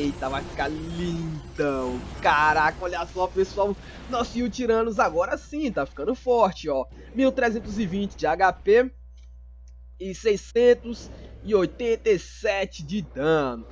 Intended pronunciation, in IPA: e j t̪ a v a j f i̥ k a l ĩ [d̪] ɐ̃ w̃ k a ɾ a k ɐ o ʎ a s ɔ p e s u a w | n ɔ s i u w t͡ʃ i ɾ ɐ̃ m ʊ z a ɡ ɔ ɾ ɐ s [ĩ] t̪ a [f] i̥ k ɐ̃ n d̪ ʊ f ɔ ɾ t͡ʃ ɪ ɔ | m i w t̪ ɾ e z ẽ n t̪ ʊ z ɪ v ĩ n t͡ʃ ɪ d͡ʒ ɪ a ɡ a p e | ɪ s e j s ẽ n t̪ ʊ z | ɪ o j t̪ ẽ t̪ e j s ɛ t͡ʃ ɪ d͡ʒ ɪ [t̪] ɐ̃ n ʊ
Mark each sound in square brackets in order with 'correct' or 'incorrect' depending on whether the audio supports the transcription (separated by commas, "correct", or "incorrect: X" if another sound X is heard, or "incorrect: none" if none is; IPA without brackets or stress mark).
correct, correct, correct, incorrect: d̪